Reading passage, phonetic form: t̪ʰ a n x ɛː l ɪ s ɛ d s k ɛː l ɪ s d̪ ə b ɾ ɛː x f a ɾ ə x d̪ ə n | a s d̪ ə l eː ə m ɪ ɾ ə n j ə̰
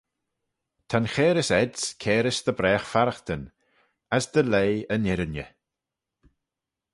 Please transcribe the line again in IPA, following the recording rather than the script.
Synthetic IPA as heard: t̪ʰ a n x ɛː ɾ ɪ s ɛ d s kʰ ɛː ɾ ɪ s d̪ ə b ɾ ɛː x f a ɾ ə x t̪ ə n | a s d̪ ə l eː ə n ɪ ɾ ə n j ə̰